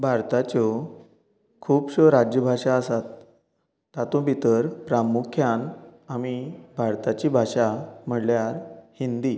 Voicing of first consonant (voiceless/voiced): voiced